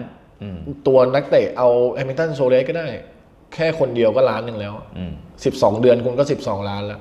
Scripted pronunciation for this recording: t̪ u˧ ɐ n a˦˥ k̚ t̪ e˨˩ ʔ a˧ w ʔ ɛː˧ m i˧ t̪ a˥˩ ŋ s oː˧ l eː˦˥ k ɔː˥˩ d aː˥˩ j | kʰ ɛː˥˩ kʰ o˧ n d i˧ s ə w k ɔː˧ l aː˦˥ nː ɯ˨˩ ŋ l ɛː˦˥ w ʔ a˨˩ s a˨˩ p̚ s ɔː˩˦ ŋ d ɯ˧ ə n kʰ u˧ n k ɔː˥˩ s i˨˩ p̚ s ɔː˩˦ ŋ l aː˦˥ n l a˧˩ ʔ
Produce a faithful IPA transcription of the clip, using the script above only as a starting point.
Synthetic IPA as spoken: t̪ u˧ ɐ n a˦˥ k̚ t̪ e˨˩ ʔ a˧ w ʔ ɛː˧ m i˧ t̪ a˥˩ n s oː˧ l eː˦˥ k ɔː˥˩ d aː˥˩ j | kʰ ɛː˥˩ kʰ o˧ n d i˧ ə w k ɔː˥˩ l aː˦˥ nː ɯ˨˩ ŋ l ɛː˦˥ w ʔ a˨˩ s i˨˩ p̚ s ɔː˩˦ ŋ d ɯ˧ ə n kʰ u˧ n k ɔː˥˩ s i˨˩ p̚ s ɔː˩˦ ŋ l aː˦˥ n l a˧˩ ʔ